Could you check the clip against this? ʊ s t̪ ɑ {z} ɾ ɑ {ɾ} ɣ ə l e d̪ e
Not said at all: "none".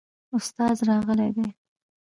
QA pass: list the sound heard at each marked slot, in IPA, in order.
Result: z, none

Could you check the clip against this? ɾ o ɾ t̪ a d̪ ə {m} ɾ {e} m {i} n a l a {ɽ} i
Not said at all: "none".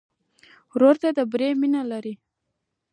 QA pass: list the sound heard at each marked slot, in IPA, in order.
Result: b, e, i, ɾ

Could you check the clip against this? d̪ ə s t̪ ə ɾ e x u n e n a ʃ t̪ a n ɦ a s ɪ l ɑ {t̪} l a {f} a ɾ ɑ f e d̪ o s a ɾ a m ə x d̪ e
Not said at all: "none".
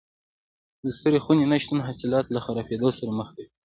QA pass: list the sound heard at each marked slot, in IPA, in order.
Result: t̪, x

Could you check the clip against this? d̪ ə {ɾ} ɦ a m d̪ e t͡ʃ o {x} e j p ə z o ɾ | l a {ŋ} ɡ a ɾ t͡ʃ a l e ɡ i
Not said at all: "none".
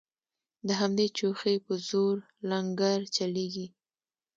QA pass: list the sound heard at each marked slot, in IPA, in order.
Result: none, x, ŋ

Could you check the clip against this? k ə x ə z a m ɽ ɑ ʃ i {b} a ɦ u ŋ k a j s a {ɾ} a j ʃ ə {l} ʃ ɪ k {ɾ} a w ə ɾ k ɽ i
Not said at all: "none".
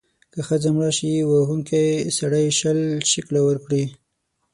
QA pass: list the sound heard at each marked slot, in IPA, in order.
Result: w, ɽ, l, l

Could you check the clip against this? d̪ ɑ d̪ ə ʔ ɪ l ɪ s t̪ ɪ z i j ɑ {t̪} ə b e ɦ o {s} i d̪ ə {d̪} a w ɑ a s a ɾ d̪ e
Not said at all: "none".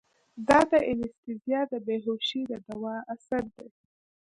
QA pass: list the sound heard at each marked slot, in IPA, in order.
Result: d̪, ʃ, d̪

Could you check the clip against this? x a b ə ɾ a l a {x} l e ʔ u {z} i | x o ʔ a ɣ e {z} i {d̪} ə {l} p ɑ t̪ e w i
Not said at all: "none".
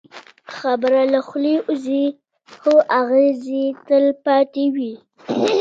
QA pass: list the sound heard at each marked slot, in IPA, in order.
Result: x, z, z, t̪, l

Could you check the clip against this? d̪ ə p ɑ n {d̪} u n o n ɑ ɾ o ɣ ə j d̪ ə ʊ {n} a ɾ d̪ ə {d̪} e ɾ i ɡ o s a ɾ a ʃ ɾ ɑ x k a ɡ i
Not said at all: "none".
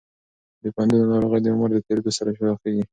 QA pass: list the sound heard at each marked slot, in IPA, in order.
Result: d̪, m, t̪

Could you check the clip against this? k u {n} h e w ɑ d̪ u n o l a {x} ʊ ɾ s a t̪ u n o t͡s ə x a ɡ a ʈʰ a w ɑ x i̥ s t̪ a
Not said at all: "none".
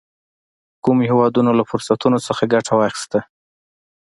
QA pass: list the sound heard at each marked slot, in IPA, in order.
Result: m, f

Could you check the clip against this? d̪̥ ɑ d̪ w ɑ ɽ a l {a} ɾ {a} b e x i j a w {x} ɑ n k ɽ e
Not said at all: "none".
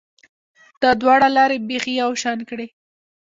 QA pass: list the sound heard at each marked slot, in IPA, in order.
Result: ɑ, e, ʃ

